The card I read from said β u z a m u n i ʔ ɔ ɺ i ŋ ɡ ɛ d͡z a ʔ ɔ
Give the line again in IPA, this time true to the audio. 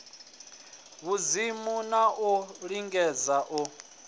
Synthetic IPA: β u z i m u n a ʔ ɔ ɺ i ŋ ɡ ɛ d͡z a ʔ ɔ